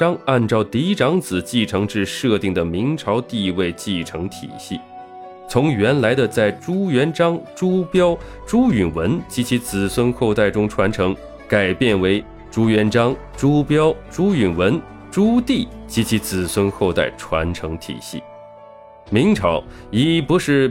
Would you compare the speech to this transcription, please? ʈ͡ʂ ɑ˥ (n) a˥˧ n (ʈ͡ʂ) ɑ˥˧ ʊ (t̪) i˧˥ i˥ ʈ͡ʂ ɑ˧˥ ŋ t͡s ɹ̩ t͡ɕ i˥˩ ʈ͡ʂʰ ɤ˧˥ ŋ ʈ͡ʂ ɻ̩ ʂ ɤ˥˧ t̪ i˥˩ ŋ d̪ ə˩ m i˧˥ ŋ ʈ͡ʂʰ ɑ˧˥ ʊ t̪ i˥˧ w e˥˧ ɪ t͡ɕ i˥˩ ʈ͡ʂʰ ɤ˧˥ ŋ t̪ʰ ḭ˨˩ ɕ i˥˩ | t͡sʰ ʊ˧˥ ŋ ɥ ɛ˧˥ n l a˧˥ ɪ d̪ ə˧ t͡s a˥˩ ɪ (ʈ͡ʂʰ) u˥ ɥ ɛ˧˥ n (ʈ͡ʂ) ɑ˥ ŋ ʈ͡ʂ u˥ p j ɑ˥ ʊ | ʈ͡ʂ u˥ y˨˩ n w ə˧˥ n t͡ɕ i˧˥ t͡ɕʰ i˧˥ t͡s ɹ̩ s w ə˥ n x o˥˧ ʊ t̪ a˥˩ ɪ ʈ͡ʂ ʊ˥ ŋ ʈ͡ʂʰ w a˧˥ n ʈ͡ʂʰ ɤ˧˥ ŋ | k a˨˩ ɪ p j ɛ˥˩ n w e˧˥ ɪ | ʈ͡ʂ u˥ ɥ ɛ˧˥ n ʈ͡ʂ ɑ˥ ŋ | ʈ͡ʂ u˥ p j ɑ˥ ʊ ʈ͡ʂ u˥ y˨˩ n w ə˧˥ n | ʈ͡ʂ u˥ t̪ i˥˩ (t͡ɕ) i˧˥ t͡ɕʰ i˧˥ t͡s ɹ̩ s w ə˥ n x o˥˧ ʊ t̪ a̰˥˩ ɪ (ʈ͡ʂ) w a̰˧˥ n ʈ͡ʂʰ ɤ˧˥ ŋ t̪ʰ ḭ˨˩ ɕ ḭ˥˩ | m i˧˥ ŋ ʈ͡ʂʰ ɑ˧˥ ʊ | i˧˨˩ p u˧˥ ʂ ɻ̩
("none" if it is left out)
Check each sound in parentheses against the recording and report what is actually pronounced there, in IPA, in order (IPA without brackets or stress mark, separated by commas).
ŋ, ʈ͡ʂ, t̪, ʈ͡ʂ, ʈ͡ʂ, t͡ɕ, ʈ͡ʂʰ